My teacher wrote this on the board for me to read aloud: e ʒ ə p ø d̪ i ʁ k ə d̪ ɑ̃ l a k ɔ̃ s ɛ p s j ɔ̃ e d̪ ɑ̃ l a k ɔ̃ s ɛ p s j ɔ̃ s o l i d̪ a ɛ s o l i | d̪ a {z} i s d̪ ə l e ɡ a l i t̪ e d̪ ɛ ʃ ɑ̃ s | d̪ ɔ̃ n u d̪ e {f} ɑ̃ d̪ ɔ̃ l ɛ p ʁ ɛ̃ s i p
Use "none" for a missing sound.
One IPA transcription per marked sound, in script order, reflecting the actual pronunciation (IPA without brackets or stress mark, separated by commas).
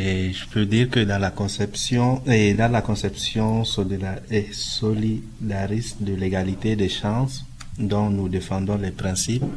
ʁ, f